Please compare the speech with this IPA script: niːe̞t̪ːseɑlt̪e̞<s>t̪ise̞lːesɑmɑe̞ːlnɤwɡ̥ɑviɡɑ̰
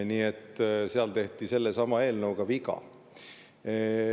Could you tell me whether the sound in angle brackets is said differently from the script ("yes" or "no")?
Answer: yes